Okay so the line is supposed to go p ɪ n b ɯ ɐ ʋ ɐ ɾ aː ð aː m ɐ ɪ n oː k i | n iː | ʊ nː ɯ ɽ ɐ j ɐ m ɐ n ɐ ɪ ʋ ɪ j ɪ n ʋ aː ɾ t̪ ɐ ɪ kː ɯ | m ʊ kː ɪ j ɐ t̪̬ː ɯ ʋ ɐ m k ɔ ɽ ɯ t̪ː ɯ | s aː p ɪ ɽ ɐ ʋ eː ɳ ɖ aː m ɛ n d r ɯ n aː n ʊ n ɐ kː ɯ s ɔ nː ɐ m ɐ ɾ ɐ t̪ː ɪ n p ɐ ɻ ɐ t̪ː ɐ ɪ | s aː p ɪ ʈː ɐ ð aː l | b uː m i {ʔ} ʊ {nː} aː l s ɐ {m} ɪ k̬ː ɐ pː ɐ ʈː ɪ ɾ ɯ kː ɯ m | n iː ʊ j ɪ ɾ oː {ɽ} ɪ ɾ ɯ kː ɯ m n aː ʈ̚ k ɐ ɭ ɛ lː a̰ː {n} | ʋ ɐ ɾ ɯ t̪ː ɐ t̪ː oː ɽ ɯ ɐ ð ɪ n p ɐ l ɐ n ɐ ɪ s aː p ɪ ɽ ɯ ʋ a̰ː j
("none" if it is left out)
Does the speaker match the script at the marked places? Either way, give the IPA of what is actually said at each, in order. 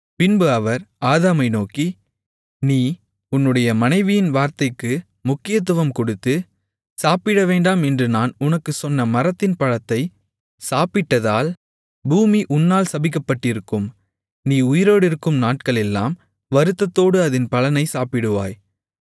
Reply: ʔ, nː, b, ɽ, m

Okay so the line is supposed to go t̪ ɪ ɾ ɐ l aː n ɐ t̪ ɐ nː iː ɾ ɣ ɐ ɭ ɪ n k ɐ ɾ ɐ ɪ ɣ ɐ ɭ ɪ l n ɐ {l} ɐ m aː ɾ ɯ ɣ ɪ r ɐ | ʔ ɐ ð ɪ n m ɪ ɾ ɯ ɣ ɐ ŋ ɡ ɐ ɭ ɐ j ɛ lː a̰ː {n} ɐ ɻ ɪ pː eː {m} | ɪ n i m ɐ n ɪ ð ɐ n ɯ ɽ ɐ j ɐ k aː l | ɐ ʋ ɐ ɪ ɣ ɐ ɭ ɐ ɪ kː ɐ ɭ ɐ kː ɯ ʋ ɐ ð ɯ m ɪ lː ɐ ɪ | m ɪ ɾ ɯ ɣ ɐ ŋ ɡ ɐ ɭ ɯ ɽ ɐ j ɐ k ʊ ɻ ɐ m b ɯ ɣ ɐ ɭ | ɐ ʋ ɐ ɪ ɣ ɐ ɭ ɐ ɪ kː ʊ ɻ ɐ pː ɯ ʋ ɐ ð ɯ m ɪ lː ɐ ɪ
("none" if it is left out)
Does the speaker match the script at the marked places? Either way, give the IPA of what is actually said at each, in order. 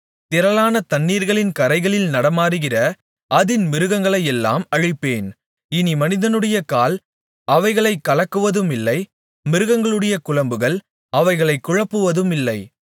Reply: ɽ, m, n

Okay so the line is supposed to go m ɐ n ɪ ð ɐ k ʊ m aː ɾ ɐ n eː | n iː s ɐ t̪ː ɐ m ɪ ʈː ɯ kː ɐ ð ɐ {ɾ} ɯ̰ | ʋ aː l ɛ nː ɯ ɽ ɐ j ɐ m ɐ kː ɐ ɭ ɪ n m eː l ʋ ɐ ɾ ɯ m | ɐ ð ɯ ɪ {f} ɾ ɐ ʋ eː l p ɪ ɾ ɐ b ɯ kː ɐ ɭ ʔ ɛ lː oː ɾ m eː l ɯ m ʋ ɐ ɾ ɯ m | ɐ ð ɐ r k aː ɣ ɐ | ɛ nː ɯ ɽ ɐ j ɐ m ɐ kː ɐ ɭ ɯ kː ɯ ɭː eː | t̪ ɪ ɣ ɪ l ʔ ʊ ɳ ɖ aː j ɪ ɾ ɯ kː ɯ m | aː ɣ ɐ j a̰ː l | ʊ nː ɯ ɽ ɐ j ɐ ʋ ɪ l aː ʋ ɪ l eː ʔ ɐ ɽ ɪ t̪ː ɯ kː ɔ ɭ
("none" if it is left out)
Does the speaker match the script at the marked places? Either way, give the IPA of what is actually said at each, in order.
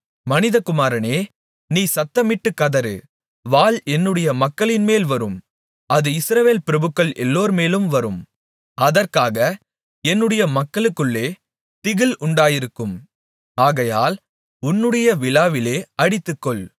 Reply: ɾ, s

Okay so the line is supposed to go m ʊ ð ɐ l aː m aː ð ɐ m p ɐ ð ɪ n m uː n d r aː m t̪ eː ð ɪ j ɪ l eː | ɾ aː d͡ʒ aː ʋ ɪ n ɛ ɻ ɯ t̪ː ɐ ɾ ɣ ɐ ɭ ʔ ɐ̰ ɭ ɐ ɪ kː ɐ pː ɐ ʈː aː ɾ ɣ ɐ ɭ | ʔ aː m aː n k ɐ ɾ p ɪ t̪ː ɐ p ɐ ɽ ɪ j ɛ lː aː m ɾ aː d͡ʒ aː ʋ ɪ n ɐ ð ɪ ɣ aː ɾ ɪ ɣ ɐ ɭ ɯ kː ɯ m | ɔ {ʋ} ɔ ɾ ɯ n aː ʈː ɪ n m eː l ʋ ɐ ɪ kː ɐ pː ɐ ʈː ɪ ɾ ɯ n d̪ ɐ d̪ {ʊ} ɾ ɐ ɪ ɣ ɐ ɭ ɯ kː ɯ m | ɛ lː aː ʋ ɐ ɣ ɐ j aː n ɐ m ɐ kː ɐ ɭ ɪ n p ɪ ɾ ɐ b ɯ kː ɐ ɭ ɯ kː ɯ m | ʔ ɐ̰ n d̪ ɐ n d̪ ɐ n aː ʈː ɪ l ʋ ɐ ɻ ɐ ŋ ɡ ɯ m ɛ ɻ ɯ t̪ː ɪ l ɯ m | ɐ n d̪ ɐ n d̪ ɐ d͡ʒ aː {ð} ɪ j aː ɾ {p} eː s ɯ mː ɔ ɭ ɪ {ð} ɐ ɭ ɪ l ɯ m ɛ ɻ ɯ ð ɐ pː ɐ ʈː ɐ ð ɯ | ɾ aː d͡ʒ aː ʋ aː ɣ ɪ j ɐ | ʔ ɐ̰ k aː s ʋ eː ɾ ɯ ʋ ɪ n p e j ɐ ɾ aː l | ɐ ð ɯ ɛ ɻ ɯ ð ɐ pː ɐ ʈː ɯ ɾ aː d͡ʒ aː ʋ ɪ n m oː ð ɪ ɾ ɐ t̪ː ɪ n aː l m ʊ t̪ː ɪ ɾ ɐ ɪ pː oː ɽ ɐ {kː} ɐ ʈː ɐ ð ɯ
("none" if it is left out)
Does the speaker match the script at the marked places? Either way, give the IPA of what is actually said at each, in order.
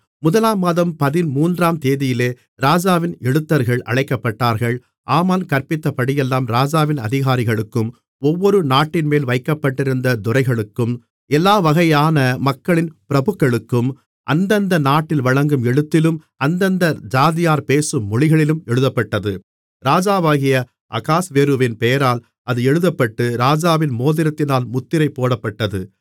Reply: ʋː, ʊ, ð, p, ɣ, pː

